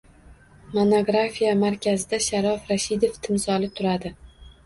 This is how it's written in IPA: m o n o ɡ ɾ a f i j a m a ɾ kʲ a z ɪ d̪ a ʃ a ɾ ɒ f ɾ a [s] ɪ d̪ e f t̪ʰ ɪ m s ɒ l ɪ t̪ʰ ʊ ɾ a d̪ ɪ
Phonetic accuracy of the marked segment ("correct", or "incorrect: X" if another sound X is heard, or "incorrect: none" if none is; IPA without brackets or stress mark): incorrect: ʃ